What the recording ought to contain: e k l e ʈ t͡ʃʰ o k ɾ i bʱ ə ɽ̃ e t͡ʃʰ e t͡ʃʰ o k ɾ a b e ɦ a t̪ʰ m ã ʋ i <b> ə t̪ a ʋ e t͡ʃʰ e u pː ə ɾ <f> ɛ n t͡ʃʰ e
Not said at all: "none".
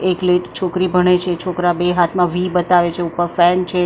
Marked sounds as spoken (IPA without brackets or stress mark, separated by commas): b, f